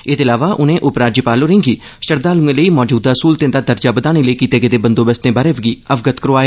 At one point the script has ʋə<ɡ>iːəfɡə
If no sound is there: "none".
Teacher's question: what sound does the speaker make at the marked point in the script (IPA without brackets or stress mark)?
ɡ